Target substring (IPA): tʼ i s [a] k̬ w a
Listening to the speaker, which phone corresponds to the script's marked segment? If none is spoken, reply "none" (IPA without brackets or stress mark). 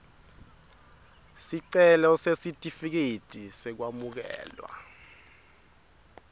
ɛ